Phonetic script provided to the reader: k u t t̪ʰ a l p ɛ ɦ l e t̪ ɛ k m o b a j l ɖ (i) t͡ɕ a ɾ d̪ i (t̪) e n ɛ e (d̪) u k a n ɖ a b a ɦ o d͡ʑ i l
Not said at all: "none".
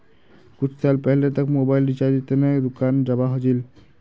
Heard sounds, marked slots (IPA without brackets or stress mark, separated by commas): i, t̪, d̪